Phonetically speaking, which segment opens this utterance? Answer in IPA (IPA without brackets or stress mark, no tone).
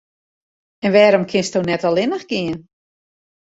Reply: ɛ